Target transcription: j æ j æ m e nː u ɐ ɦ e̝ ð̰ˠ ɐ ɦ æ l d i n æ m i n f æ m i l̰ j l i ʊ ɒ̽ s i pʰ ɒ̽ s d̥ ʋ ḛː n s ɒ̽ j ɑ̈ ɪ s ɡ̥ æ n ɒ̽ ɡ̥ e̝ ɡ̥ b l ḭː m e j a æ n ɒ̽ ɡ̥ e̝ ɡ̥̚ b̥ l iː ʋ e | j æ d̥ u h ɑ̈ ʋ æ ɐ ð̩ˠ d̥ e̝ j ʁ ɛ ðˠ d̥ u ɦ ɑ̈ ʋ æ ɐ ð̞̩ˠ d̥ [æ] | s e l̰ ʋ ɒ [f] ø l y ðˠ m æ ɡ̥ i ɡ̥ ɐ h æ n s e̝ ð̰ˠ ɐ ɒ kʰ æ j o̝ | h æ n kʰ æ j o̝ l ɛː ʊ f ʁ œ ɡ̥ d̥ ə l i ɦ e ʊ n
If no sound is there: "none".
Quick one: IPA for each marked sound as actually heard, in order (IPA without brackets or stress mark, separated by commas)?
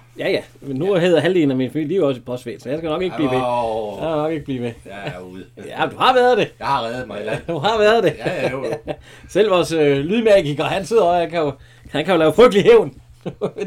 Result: e, s